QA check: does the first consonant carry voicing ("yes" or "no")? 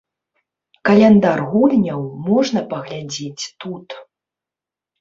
no